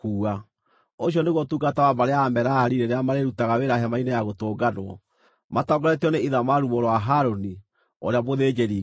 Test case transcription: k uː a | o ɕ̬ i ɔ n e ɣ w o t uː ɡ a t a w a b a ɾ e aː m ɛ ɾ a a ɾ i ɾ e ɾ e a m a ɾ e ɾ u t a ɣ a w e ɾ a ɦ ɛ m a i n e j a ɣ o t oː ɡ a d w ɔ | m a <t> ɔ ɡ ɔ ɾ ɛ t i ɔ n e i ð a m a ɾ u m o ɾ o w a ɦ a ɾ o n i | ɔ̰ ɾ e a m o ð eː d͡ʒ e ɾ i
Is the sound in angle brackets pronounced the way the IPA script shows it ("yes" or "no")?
yes